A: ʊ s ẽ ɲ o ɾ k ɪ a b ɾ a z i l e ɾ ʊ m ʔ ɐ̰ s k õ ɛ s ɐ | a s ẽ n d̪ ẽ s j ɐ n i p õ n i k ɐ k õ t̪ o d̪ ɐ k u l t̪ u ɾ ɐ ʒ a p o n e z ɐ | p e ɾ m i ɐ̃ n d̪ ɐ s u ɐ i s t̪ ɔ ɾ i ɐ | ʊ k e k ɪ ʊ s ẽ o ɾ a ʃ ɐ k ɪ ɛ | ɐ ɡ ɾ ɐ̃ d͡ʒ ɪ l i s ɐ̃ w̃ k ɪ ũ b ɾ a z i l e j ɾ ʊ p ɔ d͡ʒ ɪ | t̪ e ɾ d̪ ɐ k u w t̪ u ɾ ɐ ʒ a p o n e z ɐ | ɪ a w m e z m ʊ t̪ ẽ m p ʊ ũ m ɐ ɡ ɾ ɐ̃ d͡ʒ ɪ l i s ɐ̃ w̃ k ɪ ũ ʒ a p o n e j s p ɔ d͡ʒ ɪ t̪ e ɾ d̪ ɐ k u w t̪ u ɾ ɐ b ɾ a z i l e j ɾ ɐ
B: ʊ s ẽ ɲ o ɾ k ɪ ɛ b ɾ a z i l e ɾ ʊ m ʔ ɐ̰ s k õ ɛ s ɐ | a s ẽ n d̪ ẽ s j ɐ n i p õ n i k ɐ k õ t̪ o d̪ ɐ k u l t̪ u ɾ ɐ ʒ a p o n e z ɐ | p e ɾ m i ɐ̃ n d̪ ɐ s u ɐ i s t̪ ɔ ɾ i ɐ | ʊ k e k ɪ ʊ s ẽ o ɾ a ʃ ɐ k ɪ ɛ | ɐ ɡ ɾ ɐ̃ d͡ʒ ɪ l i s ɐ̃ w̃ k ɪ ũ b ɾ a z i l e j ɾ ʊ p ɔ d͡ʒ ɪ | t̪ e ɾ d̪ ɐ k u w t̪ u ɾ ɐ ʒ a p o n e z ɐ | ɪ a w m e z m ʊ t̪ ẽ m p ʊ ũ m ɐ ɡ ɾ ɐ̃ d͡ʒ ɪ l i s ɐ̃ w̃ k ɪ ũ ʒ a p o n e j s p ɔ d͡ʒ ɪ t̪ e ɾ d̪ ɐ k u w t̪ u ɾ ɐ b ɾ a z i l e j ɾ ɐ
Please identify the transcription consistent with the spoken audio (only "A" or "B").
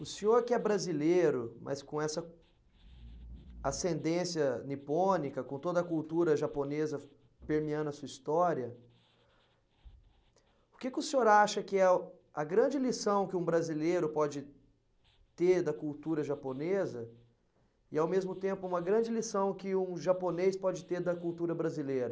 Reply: B